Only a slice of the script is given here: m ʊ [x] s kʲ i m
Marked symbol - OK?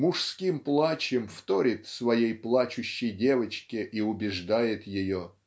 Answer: no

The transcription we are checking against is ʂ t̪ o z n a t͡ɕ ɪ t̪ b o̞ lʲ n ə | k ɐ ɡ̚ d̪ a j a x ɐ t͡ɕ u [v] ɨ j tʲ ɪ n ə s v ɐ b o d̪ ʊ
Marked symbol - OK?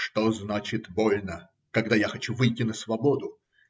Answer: yes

